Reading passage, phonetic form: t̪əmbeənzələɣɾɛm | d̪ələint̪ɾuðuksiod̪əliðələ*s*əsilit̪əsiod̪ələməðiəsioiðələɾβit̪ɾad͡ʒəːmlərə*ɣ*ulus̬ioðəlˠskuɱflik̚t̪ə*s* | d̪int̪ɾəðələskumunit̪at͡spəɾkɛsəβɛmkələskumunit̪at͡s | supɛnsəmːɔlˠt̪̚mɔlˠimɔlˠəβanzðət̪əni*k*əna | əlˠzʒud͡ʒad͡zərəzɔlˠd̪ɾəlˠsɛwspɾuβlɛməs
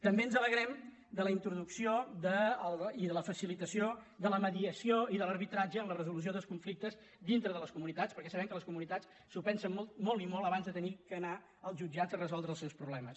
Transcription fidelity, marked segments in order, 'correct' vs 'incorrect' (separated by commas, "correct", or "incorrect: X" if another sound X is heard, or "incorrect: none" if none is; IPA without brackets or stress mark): incorrect: f, incorrect: z, incorrect: z, correct